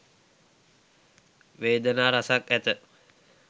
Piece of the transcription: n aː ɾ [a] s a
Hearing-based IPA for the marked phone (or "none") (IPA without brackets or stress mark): a